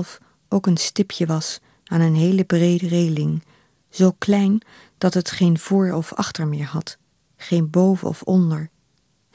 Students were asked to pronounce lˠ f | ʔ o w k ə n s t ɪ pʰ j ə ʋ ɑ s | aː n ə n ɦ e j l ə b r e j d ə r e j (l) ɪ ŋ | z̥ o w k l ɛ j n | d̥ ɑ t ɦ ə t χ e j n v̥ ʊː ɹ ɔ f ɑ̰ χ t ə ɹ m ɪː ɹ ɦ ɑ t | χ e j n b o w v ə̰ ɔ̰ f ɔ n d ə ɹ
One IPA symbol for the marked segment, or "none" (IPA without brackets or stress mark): l